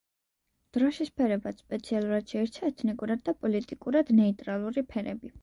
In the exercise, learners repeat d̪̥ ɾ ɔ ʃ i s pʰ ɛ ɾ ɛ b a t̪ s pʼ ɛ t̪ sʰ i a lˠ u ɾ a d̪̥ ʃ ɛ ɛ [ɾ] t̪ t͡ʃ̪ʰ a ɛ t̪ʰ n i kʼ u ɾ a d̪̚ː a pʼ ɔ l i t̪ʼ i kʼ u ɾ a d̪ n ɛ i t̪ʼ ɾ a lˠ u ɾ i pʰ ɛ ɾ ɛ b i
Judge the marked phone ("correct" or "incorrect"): correct